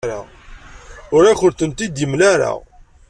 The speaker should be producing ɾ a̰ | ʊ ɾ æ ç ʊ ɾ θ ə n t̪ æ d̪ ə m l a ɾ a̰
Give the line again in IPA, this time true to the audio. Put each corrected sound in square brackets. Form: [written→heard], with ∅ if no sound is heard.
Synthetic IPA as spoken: ɾ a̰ | ʊ ɾ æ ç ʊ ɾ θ ə n t̪ [æ→i] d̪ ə m l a ɾ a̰